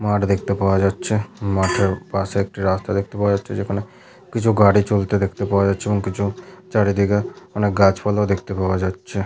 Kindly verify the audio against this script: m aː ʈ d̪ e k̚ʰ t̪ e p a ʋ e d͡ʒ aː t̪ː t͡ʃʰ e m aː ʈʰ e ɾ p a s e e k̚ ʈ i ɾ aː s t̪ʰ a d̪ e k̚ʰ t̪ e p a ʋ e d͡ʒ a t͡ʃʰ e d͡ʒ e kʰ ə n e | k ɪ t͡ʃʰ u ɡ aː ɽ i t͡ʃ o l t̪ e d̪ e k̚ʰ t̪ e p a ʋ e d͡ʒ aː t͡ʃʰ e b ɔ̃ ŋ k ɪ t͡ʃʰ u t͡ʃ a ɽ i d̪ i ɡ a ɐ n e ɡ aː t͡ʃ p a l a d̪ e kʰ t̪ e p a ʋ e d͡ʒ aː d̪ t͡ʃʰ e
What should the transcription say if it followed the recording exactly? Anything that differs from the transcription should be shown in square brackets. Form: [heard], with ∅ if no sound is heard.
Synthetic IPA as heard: m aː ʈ d̪ e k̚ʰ t̪ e p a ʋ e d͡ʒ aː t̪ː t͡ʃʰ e m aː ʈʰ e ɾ p a s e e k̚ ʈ i ɾ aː s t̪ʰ a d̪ e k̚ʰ t̪ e p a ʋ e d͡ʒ a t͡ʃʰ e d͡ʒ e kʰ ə n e | k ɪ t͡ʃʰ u ɡ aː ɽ i t͡ʃ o l t̪ e d̪ e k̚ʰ t̪ e p a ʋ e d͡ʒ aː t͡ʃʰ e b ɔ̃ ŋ k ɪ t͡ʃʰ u t͡ʃ a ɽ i d̪ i ɡ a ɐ n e ɡ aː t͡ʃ p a l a d̪ e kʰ t̪ e p a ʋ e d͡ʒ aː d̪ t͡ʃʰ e

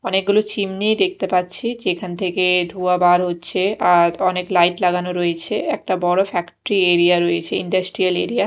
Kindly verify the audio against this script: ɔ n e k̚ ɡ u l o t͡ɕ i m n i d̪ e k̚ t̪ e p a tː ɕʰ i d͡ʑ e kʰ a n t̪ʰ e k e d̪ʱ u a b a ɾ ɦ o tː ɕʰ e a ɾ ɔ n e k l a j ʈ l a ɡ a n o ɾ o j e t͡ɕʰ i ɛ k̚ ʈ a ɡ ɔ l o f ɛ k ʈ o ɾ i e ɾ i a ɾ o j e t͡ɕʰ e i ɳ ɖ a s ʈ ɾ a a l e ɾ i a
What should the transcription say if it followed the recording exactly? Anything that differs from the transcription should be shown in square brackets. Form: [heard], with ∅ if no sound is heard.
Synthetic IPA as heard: ɔ n e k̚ ɡ u l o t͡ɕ i m n i d̪ e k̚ t̪ e p a tː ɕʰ i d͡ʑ e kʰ a n t̪ʰ e k e d̪ʱ u a b a ɾ ɦ o tː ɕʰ e a ɾ ɔ n e k l a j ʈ l a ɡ a n o ɾ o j e t͡ɕʰ [e] ɛ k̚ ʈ a [b] ɔ [ɽ] o f ɛ k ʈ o ɾ i e ɾ i a ɾ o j e t͡ɕʰ e i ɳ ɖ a s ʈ ɾ [i] a l e ɾ i a

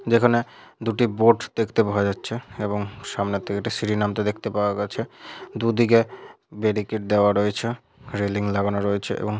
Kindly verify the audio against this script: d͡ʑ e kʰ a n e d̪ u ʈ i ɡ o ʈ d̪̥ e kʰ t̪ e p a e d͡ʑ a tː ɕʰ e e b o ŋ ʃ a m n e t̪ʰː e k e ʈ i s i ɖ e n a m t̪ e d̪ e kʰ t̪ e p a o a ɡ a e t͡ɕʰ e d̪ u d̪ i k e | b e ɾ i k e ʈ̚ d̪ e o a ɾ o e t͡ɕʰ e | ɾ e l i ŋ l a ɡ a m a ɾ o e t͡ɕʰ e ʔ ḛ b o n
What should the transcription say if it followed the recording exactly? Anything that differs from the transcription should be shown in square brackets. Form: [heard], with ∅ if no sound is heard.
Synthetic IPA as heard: d͡ʑ e kʰ a n e d̪ u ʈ i [b] o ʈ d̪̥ e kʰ t̪ e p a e d͡ʑ a tː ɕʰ e e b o ŋ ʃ a m n e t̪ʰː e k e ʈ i s i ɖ [i] n a m t̪ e d̪ e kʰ t̪ e p a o a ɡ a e t͡ɕʰ e d̪ u d̪ i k e | b e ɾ i k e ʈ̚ d̪ e o a ɾ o e t͡ɕʰ e | ɾ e l i ŋ l a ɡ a [n] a ɾ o e t͡ɕʰ e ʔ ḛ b o [ŋ]

